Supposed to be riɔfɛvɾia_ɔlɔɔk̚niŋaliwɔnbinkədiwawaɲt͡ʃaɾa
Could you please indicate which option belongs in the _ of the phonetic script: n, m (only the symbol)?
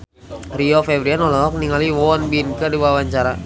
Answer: n